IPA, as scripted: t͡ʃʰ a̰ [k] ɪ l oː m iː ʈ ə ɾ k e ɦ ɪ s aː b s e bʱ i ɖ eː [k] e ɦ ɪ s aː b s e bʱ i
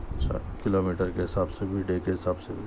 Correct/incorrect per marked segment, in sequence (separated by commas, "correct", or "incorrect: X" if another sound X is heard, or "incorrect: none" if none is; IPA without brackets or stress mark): correct, correct